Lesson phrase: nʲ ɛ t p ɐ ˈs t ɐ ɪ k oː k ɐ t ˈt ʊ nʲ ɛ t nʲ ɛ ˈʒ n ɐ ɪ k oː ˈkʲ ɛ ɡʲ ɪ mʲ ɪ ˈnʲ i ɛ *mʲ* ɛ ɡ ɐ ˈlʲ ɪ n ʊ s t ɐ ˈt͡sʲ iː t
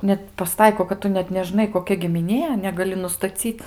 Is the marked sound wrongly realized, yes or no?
yes